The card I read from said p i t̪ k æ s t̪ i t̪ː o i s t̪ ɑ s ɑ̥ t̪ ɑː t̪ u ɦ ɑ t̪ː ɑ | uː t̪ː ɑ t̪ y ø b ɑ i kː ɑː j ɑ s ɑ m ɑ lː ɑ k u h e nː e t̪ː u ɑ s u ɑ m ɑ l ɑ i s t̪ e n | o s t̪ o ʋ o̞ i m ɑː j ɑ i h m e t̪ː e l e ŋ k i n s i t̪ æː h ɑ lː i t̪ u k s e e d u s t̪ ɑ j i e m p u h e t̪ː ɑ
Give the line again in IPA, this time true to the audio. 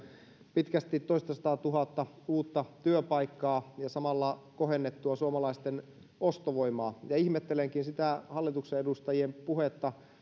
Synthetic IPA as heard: p i t̪ k æ s t̪ i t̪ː o i s t̪ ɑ s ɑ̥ t̪ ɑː t̪ u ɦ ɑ t̪ː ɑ | uː t̪ː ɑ t̪ y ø p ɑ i kː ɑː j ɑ s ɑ m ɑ lː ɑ k o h e nː e t̪ː u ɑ s u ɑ m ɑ l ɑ i s t̪ e n | o s t̪ o ʋ o̞ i m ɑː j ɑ i h m e t̪ː e l e ŋ k i n s i t̪ æ h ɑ lː i t̪ u k s e e d u s t̪ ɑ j i e m p u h e t̪ː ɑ